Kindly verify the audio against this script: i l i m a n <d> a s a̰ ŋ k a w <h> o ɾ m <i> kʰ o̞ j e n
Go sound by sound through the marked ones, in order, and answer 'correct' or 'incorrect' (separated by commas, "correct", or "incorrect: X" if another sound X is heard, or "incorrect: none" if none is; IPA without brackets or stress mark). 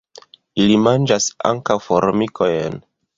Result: incorrect: d͡ʒ, incorrect: f, correct